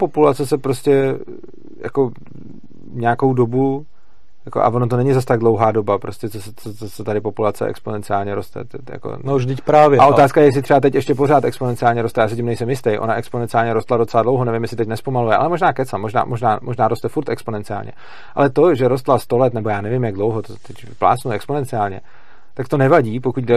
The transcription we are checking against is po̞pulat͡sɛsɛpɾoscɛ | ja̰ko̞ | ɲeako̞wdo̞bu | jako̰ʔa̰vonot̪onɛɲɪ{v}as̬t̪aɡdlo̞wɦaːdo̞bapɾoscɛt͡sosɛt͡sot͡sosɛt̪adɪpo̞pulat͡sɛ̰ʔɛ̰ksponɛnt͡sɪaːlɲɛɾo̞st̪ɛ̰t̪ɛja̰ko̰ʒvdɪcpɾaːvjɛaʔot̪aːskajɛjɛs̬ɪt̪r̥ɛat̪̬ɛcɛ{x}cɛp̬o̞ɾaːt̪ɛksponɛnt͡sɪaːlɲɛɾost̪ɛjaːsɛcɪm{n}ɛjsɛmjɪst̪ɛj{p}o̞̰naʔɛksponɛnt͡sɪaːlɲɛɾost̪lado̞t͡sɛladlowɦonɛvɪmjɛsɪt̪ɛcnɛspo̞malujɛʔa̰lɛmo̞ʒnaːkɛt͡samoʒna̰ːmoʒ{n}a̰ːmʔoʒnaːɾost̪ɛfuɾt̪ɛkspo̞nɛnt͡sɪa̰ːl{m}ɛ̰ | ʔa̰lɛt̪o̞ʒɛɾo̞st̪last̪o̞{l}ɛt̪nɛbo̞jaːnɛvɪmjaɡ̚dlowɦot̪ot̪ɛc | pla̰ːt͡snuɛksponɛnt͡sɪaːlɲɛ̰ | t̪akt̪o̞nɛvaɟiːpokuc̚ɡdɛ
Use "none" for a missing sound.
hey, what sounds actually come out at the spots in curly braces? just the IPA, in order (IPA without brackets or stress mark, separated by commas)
z, ʃ, n, ʔ, n, ɲ, l